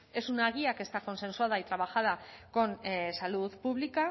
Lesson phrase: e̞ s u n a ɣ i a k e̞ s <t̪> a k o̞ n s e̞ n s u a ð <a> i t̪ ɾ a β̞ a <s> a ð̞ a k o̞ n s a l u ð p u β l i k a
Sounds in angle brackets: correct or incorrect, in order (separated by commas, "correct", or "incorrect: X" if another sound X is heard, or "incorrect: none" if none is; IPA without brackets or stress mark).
correct, correct, incorrect: x